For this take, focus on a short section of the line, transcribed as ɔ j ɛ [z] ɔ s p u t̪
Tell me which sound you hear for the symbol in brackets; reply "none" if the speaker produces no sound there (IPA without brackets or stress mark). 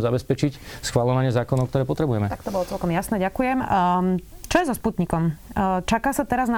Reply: z